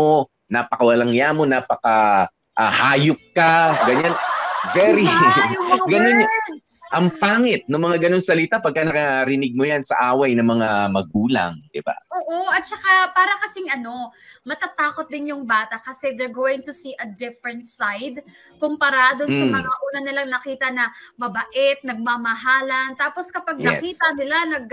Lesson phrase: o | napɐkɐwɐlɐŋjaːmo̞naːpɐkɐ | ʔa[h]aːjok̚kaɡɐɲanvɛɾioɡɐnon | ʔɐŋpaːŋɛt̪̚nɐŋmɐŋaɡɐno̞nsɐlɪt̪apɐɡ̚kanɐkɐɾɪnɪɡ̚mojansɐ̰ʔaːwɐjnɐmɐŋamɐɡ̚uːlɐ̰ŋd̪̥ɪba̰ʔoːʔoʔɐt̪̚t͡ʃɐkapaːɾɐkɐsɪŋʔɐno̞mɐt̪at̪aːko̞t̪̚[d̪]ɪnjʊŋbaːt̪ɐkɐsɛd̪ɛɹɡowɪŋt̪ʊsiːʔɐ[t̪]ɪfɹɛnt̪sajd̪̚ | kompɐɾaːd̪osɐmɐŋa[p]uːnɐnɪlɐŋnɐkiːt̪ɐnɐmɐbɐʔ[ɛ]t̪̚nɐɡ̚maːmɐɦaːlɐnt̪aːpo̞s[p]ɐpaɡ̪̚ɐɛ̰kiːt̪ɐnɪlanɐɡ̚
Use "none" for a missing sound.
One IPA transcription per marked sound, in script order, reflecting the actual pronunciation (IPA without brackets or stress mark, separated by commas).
h, d̪, d̪, ʔ, ɛ, k